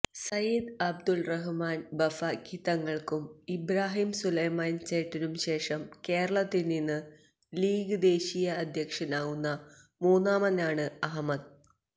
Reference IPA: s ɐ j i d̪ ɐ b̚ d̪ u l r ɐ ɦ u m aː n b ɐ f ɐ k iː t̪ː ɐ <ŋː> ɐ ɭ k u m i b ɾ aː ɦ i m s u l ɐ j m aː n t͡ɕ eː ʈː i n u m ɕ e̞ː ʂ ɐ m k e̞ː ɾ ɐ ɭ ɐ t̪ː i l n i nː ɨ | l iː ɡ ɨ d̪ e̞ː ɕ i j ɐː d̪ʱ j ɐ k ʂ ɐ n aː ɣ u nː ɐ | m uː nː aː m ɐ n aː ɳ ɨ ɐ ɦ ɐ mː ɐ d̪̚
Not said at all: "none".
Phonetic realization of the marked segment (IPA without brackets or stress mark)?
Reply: ŋː